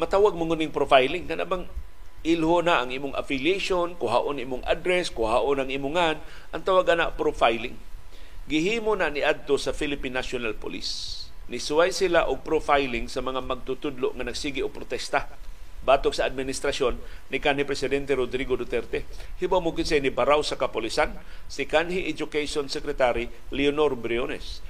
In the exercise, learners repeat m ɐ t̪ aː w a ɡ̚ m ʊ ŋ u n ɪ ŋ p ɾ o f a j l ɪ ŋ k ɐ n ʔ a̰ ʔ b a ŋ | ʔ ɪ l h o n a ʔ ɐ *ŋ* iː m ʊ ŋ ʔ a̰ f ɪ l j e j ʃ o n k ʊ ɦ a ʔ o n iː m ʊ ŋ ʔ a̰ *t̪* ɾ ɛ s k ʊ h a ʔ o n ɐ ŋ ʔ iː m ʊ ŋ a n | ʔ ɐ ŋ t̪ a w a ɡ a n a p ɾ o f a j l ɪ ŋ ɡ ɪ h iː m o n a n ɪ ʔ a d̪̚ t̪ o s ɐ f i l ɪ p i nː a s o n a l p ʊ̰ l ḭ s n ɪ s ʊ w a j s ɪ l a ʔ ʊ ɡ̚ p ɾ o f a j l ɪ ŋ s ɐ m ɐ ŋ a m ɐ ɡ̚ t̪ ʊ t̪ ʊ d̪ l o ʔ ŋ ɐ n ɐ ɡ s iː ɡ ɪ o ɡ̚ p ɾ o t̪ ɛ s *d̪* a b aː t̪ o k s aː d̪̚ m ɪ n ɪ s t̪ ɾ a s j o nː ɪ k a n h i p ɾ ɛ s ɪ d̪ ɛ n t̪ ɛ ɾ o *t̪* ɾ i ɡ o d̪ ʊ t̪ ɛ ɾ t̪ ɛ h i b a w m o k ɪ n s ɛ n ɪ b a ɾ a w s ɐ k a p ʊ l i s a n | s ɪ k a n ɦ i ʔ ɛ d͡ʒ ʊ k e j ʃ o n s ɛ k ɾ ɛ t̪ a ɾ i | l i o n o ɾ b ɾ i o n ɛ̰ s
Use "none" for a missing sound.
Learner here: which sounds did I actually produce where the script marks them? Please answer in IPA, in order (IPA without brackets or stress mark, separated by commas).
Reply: ŋ, d̪, t̪, d̪